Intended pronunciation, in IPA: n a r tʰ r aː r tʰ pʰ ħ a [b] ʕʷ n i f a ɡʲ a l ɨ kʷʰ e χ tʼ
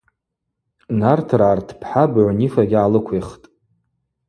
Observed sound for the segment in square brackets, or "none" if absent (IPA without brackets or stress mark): b